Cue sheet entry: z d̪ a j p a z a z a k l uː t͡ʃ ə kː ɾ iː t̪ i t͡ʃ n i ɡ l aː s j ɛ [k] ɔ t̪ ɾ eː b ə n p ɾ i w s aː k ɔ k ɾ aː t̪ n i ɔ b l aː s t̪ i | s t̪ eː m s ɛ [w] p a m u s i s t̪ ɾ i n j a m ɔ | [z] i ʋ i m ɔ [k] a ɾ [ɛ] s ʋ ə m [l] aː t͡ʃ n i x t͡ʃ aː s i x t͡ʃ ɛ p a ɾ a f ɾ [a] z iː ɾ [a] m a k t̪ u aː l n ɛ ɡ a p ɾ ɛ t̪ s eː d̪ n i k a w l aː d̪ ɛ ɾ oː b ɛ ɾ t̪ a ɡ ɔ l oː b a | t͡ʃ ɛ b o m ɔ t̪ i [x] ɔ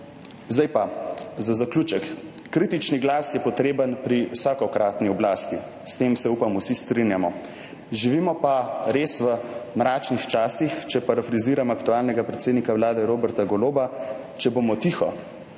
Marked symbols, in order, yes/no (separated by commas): no, no, no, no, no, no, no, yes, yes